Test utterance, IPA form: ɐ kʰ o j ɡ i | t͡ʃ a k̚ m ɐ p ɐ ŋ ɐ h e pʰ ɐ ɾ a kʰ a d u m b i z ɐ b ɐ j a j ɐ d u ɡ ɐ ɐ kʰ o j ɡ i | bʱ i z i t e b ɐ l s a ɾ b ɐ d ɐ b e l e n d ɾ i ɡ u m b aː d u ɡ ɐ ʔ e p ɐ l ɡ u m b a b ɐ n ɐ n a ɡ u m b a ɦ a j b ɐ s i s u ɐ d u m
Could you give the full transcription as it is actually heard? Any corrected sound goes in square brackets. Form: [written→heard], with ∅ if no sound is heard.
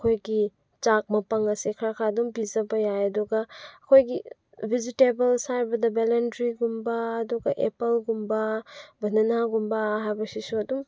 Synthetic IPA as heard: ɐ kʰ o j ɡ i | t͡ʃ a k̚ m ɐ p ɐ ŋ ɐ [h→s] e [pʰ→kʰ] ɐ ɾ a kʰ a d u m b i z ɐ b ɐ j a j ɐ d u ɡ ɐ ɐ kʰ o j ɡ i | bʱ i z i t e b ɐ l s a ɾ b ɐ d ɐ b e l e n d ɾ i ɡ u m b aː d u ɡ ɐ ʔ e p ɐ l ɡ u m b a b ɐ n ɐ n a ɡ u m b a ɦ a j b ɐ s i s u ɐ d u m

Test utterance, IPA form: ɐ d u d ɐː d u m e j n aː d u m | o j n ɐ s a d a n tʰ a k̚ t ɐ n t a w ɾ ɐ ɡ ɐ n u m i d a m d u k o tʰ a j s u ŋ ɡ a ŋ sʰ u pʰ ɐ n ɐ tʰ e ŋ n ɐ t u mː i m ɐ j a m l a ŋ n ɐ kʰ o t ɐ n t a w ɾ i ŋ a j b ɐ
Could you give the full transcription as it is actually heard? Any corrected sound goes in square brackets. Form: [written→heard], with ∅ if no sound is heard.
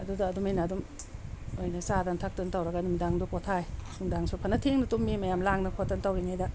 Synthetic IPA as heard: ɐ d u d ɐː d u m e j n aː d u m | o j n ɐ s a d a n tʰ a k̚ t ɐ n t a w ɾ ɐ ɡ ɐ n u m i d a [m→ŋ] d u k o tʰ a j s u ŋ [ɡ→d] a ŋ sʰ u pʰ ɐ n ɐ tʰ e ŋ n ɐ t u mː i m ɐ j a m l a ŋ n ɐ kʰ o t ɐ n t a w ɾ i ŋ a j [b→d] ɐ

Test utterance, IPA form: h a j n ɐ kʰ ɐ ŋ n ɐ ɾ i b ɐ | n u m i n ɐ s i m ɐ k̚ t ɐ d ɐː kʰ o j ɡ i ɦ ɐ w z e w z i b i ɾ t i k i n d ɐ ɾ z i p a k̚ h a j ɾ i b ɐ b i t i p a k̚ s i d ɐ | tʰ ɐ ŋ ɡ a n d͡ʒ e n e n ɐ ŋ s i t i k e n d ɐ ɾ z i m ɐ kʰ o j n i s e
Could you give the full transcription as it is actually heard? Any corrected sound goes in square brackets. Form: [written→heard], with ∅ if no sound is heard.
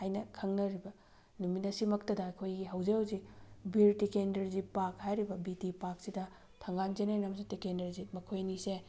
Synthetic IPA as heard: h a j n ɐ kʰ ɐ ŋ n ɐ ɾ i b ɐ | n u m i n ɐ s i m ɐ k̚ t ɐ d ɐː kʰ o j ɡ i ɦ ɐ w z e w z i b i ɾ t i k [i→e] n d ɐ ɾ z i p a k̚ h a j ɾ i b ɐ b i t i p a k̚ s i d ɐ | tʰ ɐ ŋ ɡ a n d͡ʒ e n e n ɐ [ŋ→m] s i t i k e n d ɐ ɾ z i m ɐ kʰ o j n i s e

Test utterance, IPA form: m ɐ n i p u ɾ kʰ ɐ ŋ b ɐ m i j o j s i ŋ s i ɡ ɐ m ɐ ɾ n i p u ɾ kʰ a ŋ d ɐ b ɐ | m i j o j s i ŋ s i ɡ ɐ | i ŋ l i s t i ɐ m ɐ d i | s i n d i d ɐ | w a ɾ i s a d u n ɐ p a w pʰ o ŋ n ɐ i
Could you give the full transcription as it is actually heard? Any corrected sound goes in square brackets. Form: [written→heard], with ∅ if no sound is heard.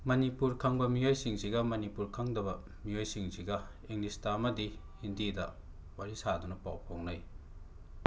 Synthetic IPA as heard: m ɐ n i p u ɾ kʰ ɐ ŋ b ɐ m i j o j s i ŋ s i ɡ ɐ m ɐ [ɾ→∅] n i p u ɾ kʰ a ŋ d ɐ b ɐ | m i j o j s i ŋ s i ɡ ɐ | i ŋ l i s t [i→a] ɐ m ɐ d i | [s→h] i n d i d ɐ | w a ɾ i s a d u n ɐ p a w pʰ o ŋ n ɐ [i→j]

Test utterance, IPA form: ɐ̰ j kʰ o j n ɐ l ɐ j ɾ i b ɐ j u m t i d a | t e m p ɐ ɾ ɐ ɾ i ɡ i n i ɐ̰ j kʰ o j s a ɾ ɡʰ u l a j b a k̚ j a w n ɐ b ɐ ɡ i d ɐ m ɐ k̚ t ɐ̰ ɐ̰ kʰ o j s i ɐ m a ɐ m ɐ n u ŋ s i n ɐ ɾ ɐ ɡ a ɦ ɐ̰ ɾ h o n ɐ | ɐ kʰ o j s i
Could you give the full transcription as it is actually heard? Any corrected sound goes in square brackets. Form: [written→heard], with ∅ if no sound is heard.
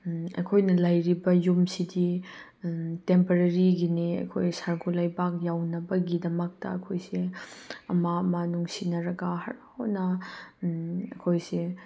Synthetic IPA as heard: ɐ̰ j kʰ o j n ɐ l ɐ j ɾ i b ɐ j u m [t→s] i d [a→i] | t e m p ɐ ɾ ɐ ɾ i ɡ i n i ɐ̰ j kʰ o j s a ɾ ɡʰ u l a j b a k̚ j a w n ɐ b ɐ ɡ i d ɐ m ɐ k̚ t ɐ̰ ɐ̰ kʰ o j s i ɐ m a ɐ m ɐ n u ŋ s i n ɐ ɾ ɐ ɡ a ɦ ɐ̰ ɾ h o n ɐ | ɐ kʰ o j s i

